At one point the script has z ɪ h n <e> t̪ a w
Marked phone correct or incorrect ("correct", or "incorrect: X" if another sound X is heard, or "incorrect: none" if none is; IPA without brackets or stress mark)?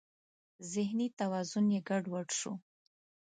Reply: incorrect: i